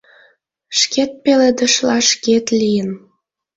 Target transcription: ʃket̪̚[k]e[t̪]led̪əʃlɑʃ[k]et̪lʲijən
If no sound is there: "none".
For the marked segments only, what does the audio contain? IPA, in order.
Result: p, none, k

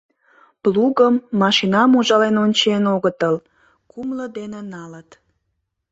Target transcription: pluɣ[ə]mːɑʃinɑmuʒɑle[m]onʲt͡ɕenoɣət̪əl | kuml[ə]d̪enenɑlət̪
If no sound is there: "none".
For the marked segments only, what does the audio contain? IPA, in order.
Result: ə, n, ə

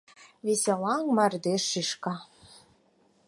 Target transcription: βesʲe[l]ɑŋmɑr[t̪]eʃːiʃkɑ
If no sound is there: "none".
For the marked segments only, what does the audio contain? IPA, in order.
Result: l, d̪

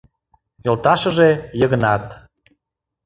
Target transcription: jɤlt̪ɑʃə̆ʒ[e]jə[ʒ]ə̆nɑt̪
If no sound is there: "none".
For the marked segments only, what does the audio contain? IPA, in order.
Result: e, ɣ

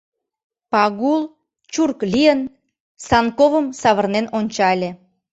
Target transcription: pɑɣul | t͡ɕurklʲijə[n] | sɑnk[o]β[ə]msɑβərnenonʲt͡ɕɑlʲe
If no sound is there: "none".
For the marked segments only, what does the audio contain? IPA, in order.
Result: n, o, ə

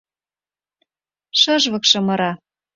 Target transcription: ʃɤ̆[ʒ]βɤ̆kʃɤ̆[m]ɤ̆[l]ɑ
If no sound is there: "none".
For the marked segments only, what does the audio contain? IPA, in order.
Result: ʒ, m, ɾ

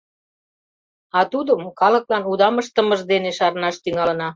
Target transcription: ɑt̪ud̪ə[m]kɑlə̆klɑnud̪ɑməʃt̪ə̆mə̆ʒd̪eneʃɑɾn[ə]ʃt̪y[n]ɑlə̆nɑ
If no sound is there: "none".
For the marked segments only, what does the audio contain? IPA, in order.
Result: m, ɑ, ŋ

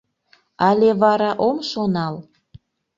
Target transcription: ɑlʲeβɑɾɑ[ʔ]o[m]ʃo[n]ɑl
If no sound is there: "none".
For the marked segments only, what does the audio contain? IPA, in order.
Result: ʔ, m, n

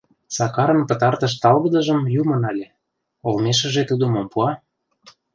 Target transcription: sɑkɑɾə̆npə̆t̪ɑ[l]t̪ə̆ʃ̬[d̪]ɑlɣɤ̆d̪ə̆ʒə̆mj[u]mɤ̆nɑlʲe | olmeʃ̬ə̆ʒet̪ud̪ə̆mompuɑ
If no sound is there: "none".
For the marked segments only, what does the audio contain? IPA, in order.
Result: r, t̪, u

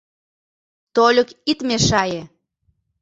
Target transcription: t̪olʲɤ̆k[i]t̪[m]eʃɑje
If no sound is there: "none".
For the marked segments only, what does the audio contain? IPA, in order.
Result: i, m

